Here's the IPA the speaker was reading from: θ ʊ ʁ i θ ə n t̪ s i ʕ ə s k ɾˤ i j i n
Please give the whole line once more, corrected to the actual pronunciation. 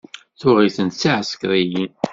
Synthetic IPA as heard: θ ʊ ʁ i θ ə n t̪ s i ʕ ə s k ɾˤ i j i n